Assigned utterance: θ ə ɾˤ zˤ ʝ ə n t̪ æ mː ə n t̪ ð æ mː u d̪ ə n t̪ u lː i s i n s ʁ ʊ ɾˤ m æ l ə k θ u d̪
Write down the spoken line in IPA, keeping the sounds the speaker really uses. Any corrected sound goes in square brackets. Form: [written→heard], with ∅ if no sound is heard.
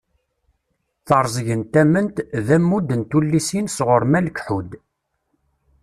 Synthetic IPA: θ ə ɾˤ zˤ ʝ ə n t̪ æ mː ə n t̪ ð æ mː u d̪ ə n t̪ u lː i s i n s ʁ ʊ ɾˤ m æ l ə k [θ→ħ] u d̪